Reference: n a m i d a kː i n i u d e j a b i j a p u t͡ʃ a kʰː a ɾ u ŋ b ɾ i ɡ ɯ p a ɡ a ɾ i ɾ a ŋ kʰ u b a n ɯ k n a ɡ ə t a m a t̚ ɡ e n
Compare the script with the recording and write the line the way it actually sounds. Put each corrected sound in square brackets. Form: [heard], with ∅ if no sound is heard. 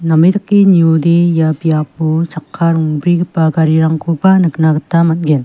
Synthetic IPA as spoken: n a m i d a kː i n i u d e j a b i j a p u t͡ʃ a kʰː a ɾ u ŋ b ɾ i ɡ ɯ p a ɡ a ɾ i ɾ a ŋ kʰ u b a n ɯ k n a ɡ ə t a m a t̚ ɡ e n